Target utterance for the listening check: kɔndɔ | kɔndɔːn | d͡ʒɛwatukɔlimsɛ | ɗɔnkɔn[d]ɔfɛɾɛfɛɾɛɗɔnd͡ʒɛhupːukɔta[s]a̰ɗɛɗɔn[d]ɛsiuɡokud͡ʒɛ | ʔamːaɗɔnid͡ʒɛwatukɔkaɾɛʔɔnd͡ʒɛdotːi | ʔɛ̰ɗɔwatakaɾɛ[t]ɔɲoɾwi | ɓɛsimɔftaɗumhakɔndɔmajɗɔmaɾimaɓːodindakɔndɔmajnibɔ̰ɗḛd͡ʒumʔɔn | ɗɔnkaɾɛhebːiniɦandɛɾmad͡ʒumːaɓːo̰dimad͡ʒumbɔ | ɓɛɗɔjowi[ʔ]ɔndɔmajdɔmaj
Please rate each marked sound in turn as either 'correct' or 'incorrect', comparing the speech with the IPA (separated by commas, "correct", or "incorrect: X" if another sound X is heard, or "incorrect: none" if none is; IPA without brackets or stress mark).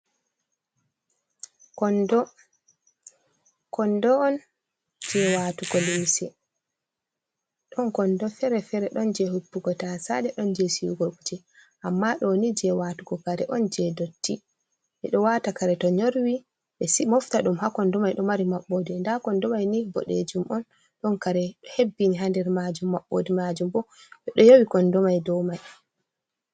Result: correct, correct, incorrect: d͡ʒ, correct, incorrect: k